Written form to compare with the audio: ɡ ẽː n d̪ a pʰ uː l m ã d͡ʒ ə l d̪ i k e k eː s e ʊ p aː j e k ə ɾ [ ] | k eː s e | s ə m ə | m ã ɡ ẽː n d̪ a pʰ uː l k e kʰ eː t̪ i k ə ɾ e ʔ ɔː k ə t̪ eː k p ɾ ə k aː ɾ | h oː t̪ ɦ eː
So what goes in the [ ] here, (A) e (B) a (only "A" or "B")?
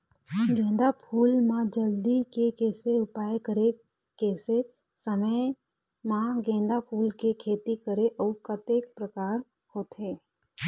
A